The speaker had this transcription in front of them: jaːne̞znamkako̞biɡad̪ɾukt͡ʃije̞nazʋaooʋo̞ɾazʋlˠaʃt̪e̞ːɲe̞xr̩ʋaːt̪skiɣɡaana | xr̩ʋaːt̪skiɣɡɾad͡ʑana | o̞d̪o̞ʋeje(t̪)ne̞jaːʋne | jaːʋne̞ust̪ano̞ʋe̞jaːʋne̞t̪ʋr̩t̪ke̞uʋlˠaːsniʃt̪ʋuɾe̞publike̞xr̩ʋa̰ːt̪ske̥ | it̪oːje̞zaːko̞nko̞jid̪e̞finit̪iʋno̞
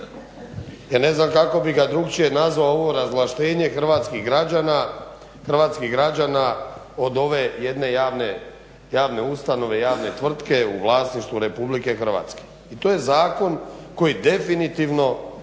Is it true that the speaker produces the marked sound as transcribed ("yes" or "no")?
no